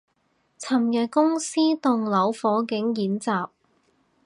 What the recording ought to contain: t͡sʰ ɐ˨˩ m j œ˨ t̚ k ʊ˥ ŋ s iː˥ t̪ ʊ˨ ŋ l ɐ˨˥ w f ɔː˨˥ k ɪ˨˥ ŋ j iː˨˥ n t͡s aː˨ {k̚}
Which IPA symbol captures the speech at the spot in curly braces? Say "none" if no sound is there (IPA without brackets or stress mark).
p̚